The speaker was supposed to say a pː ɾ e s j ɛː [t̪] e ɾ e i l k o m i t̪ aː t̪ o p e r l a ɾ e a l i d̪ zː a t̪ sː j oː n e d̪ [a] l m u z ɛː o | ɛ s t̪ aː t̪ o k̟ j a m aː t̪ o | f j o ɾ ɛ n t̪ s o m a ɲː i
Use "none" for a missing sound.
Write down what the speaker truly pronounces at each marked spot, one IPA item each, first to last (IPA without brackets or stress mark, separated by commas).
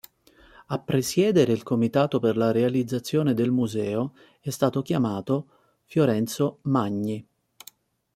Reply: d̪, e